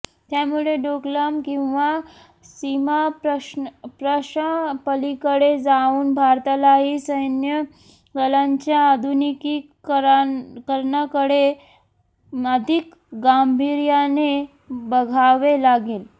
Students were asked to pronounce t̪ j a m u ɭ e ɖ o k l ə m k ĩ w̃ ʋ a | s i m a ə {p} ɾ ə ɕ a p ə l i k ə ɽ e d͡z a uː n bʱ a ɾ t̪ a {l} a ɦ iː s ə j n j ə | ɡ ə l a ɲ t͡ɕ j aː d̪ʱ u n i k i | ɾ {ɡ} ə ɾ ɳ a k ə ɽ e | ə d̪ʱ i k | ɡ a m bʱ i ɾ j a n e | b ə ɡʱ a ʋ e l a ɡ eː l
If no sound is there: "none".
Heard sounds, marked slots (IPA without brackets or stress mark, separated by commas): p, l, k